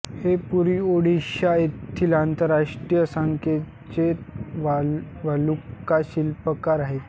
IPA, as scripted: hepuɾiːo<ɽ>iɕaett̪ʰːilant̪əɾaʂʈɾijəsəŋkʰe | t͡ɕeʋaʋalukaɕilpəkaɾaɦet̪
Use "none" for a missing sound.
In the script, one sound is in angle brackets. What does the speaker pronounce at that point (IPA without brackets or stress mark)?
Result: ɽ